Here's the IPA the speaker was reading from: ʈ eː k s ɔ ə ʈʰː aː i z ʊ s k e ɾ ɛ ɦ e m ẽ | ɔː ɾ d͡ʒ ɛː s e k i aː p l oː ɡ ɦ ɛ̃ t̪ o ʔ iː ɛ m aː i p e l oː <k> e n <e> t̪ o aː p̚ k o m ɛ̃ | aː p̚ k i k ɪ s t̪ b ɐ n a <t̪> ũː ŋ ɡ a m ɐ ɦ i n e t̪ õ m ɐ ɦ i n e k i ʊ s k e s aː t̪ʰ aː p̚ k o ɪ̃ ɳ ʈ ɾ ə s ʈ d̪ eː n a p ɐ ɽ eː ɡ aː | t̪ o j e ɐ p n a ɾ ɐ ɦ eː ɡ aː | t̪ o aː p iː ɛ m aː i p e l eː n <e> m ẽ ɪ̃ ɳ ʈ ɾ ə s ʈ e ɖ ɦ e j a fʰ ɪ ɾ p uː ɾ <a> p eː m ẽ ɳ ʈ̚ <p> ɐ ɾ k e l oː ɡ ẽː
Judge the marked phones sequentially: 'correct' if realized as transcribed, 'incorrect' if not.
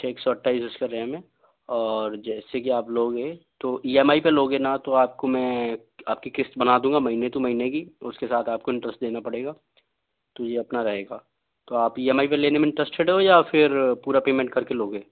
incorrect, incorrect, incorrect, correct, correct, incorrect

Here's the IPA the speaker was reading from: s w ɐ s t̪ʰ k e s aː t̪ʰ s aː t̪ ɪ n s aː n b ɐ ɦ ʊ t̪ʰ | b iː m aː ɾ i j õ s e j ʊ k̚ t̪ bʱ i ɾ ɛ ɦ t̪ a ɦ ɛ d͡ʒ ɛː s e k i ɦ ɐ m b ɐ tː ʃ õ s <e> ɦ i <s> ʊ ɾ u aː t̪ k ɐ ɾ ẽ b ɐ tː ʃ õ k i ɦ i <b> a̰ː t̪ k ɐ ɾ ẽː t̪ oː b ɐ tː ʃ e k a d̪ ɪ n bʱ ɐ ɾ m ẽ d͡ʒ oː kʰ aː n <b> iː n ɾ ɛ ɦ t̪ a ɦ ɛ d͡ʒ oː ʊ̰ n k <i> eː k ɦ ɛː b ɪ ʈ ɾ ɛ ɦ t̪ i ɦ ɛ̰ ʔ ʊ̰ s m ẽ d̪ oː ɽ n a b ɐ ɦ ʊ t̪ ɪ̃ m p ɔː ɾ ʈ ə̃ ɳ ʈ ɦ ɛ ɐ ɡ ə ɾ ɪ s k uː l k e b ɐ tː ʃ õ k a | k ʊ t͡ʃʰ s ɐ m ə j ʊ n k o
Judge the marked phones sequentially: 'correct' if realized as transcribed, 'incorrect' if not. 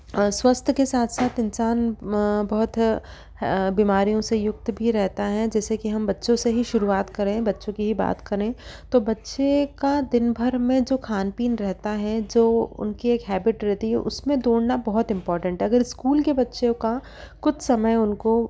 correct, incorrect, correct, incorrect, correct

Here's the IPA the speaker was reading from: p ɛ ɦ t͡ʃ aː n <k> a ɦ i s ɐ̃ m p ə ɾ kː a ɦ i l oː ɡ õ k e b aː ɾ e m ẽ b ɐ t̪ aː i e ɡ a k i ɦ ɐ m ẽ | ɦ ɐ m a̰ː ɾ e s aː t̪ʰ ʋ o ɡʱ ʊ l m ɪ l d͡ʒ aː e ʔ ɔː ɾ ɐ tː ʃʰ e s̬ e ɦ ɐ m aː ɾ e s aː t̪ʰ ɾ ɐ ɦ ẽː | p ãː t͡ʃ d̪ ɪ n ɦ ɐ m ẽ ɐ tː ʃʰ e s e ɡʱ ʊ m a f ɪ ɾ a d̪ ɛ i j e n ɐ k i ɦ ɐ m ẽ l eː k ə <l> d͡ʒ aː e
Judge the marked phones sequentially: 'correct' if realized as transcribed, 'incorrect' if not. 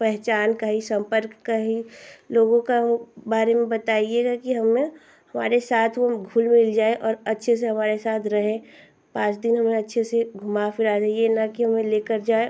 correct, incorrect

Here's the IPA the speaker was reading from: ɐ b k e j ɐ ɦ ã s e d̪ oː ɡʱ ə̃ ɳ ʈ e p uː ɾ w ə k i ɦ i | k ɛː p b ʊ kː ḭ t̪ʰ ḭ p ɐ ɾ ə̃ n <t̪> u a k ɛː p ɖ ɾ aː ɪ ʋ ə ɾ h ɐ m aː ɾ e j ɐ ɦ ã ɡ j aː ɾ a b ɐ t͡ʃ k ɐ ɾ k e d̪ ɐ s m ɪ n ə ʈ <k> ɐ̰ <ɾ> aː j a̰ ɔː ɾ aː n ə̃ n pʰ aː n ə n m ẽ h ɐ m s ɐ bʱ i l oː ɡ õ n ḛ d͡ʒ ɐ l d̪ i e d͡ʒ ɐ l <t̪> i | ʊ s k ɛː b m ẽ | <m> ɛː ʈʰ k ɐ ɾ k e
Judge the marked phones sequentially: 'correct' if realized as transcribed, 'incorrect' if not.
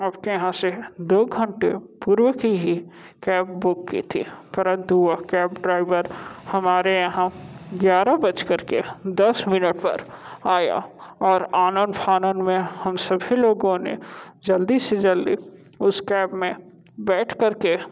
correct, incorrect, correct, incorrect, incorrect

